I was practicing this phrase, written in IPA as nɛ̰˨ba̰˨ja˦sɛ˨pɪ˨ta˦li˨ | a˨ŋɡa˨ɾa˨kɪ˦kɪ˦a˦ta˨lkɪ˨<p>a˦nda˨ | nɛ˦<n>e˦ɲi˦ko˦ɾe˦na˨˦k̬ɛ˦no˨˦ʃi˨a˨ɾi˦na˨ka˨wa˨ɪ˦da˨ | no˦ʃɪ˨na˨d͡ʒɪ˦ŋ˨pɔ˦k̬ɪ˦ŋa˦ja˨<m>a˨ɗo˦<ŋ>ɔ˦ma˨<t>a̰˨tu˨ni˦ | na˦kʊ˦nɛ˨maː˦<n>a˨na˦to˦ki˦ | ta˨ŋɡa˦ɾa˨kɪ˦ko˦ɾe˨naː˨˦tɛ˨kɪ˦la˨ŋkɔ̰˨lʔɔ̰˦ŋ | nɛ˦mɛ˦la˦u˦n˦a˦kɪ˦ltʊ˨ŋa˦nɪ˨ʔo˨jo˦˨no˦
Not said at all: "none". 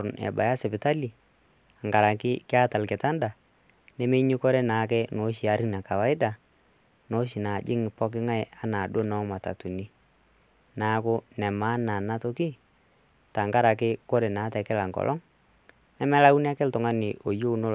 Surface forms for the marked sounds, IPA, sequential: t, m, n, n, t, n

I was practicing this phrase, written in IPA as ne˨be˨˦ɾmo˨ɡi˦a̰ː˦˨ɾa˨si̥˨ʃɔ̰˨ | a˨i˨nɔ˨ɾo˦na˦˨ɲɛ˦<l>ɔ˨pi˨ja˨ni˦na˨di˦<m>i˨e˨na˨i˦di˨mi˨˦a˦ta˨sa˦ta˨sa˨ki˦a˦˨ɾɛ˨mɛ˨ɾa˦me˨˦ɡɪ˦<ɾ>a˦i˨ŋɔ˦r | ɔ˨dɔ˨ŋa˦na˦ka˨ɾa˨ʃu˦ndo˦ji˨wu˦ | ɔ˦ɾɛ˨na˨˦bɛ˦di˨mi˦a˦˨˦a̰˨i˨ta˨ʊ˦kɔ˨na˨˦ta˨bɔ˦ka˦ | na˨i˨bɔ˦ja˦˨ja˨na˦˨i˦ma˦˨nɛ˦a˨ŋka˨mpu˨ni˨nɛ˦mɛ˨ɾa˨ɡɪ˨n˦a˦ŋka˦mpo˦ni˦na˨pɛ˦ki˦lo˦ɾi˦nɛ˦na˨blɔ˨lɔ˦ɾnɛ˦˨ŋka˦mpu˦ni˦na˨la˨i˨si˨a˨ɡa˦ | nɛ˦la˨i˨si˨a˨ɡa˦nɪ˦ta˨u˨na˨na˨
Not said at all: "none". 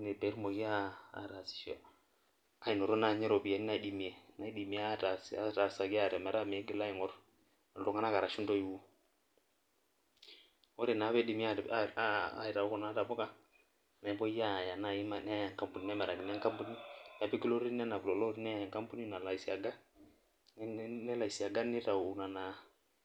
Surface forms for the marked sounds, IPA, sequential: ɾ, m, l

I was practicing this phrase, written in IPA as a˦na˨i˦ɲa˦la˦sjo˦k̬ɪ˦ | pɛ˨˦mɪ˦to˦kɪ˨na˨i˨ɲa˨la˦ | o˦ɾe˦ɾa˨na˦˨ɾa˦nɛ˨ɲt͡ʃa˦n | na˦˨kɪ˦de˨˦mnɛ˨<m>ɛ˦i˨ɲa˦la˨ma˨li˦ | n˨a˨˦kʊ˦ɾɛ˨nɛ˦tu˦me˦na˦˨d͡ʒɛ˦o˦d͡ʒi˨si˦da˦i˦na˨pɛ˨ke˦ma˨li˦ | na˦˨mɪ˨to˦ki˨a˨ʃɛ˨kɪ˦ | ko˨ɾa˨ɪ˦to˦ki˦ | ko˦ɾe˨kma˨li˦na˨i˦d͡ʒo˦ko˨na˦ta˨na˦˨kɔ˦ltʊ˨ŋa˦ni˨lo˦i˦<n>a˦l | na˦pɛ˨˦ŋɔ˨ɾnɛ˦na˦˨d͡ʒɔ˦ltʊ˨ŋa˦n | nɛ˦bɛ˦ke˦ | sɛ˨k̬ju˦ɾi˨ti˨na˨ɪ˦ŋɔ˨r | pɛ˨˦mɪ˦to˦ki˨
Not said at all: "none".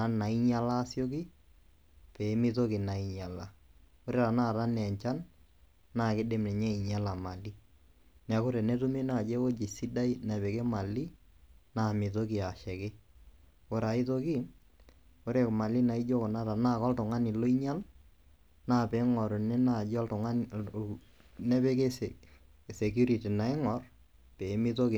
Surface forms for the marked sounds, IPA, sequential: ɲ, ɲ

